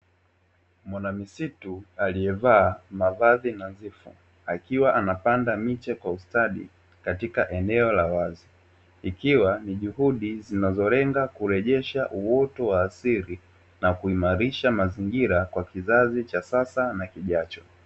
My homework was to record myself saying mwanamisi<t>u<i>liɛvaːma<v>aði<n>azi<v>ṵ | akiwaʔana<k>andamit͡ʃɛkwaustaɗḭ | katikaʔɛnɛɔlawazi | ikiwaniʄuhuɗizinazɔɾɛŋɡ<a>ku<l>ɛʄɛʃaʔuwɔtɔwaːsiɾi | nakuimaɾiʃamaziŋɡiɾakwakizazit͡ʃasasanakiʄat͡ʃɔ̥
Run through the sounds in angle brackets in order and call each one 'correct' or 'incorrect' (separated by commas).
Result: correct, incorrect, correct, correct, incorrect, incorrect, correct, incorrect